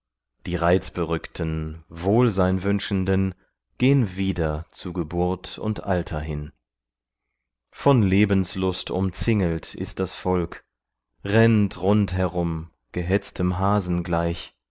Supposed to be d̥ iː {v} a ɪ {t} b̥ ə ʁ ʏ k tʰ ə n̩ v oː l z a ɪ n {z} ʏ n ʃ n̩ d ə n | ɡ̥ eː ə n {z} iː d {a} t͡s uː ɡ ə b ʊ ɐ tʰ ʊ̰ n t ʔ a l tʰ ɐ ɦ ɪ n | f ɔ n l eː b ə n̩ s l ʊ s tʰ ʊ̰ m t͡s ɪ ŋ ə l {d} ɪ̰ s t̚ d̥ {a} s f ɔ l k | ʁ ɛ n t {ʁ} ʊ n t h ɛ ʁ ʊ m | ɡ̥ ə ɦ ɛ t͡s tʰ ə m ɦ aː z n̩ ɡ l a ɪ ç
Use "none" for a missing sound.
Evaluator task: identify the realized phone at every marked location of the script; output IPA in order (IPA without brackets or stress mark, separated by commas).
ʁ, t͡s, v, v, ɐ, t, a, ʁ